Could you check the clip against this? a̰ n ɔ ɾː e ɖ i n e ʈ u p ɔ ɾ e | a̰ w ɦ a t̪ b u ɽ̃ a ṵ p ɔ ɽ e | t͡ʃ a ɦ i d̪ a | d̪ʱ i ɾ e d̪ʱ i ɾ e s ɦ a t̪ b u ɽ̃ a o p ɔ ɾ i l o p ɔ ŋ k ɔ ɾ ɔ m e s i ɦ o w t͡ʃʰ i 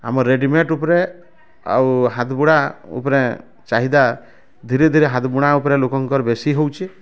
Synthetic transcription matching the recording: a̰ m ɔ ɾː e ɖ i m e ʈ u p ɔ ɾ e | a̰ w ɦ a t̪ b u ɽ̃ a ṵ p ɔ ɾ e | t͡ʃ a ɦ i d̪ a | d̪ʱ i ɾ e d̪ʱ i ɾ e ɦ a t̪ b u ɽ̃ a u p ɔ ɾ e l o k ɔ ŋ k ɔ ɾ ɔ b e s i ɦ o w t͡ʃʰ i